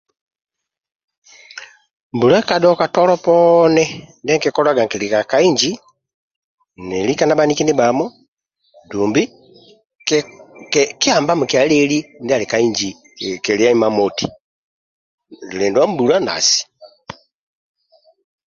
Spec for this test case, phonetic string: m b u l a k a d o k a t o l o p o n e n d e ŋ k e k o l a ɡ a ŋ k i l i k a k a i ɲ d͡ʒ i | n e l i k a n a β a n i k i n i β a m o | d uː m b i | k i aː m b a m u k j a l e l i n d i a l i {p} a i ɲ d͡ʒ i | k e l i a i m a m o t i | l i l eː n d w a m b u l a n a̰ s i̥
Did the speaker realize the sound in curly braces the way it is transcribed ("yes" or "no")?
no